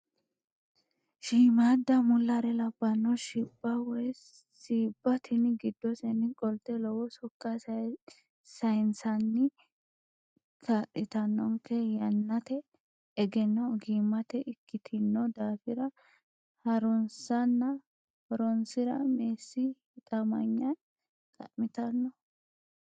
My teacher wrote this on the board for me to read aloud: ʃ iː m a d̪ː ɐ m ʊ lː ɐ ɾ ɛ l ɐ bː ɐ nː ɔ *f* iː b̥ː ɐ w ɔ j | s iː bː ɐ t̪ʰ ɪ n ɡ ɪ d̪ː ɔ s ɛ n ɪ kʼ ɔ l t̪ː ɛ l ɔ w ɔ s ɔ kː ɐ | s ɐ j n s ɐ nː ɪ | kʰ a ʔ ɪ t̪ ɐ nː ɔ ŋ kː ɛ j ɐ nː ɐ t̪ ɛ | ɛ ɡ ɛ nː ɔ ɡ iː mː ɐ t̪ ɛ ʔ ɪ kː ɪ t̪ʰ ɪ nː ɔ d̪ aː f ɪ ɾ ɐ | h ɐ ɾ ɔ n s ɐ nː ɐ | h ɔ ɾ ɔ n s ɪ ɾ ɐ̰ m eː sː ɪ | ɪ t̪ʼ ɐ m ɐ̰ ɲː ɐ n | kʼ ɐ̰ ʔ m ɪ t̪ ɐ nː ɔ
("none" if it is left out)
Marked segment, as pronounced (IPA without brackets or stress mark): ʃ